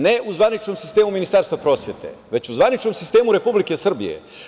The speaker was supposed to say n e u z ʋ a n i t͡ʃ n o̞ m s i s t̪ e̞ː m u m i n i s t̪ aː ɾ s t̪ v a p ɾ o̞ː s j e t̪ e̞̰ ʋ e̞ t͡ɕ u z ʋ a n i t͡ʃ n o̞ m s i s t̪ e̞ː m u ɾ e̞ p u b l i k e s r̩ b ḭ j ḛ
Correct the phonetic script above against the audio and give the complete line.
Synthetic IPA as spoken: n e u z ʋ a n i t͡ʃ n o̞ m s i s t̪ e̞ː m u m i n i s t̪ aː ɾ s t̪ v a p ɾ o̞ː s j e t̪ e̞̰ ʋ e̞ t͡ɕ u z ʋ a n i t͡ʃ n o̞ m s i s t̪ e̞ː m u ɾ e̞ p u b l i k e s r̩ b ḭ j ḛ